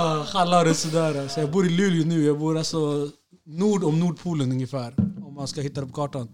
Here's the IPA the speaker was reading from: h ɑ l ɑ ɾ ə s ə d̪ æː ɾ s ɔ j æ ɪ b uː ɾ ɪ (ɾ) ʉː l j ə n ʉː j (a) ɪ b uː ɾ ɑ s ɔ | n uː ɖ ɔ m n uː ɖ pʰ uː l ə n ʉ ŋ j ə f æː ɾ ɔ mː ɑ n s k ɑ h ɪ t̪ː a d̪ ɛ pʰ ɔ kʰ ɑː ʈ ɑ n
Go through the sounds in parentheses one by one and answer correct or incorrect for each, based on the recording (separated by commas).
incorrect, incorrect